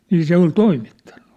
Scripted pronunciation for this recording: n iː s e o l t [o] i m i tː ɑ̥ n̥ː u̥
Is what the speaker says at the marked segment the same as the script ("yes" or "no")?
yes